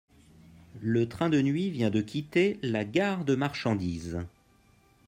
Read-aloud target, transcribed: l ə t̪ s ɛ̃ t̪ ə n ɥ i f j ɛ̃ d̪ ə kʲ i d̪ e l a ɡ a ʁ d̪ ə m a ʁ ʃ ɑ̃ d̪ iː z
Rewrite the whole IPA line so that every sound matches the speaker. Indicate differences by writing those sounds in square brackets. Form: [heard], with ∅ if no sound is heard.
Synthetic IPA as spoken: l ə t̪ [χ] ɛ̃ [d̪] ə n ɥ i [v] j ɛ̃ d̪ ə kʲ i [t̪] e l a ɡ a ʁ d̪ ə m a ʁ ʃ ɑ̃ d̪ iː z